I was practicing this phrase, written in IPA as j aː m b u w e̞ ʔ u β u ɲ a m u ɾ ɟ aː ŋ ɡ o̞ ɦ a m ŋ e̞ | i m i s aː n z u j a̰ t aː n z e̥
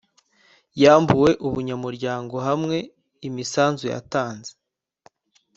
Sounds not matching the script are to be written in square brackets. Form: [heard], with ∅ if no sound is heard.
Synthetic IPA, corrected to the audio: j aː m b u w e̞ ʔ u β u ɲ a m u ɾ ɟ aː ŋ ɡ o̞ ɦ a m ŋ e̞ | i m i s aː n z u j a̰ t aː n z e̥